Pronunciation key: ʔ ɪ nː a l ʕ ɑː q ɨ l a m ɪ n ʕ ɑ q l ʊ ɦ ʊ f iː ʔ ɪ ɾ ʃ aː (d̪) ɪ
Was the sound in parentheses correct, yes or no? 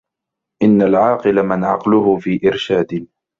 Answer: yes